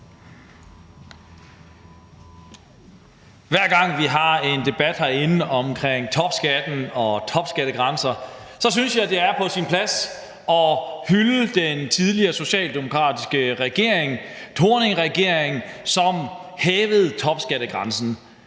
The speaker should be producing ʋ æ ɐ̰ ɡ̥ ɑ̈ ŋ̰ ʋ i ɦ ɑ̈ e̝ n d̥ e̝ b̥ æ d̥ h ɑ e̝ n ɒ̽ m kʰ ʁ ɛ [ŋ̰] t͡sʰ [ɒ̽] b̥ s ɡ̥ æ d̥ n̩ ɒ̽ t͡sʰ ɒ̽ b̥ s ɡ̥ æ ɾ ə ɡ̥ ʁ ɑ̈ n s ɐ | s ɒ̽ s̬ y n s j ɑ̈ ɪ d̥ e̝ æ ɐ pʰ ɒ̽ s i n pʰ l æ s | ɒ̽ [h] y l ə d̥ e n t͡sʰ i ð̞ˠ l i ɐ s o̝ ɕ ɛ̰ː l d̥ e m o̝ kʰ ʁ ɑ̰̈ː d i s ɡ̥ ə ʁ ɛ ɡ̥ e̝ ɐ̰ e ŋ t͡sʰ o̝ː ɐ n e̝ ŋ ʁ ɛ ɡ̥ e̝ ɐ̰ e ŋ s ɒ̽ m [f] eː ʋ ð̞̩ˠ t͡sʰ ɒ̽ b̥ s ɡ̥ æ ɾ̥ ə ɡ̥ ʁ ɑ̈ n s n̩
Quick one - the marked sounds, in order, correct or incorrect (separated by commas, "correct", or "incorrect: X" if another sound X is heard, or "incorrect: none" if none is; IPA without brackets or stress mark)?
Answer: correct, correct, correct, incorrect: h